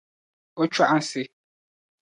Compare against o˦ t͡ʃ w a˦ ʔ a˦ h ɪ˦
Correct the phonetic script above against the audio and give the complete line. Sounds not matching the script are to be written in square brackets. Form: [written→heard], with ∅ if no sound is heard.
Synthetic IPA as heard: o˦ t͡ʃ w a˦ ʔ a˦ [h→s] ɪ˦